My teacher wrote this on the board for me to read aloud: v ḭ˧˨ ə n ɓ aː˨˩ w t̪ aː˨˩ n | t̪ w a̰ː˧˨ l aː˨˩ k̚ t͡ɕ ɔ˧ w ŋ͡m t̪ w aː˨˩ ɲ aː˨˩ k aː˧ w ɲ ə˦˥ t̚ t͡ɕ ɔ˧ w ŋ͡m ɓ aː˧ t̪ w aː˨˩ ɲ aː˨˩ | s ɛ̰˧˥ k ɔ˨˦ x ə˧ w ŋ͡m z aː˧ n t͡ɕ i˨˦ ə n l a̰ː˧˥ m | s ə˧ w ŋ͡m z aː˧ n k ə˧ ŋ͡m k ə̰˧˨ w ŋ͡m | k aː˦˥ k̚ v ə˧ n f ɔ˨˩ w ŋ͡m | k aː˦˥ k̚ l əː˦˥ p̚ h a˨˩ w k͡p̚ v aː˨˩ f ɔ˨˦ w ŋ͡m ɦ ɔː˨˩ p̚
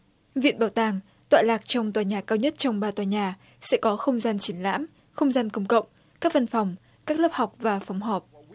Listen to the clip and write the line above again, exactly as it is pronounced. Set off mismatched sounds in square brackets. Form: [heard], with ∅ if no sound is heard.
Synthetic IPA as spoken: v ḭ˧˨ ə n ɓ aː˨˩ w t̪ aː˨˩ [ŋ] | t̪ w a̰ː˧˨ l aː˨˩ k̚ t͡ɕ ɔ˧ w ŋ͡m t̪ w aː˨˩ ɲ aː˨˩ k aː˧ w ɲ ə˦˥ t̚ t͡ɕ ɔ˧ w ŋ͡m ɓ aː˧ t̪ w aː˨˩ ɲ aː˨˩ | s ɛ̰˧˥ k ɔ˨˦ x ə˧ w ŋ͡m z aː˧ n t͡ɕ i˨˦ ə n l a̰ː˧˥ m | [x] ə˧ w ŋ͡m z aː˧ n k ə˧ ŋ͡m k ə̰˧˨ w ŋ͡m | k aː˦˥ k̚ v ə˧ n f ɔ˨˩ w ŋ͡m | k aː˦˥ k̚ l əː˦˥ p̚ h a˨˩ w k͡p̚ v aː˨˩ f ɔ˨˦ w ŋ͡m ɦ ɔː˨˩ p̚

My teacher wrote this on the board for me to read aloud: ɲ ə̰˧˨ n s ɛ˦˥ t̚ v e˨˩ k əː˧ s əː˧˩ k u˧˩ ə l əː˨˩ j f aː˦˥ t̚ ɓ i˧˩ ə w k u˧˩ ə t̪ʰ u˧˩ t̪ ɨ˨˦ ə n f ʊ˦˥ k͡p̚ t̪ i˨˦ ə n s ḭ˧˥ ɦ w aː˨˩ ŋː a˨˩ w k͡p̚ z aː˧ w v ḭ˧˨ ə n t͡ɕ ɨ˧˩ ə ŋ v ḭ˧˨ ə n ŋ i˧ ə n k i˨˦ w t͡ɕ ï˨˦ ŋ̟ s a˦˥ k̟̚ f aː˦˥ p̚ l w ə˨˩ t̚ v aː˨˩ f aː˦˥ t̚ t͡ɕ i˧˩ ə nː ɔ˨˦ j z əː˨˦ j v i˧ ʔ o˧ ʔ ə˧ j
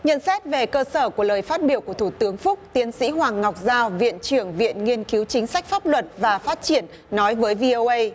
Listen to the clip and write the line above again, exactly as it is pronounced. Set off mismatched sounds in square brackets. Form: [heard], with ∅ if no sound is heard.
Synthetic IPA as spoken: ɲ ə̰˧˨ n s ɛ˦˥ t̚ v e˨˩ k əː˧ s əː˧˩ k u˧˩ ə l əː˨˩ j f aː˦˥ t̚ ɓ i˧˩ ə w k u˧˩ ə t̪ʰ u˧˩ t̪ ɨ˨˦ ə [ŋ] f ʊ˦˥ k͡p̚ t̪ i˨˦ ə n s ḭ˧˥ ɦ w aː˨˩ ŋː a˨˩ w k͡p̚ z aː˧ w v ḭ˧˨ ə n t͡ɕ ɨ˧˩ ə ŋ v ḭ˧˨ ə n ŋ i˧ ə n k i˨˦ w t͡ɕ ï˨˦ ŋ̟ s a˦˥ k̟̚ f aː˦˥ p̚ l w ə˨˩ t̚ v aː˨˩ f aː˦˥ t̚ t͡ɕ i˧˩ ə nː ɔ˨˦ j [v] əː˨˦ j v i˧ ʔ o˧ ʔ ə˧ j

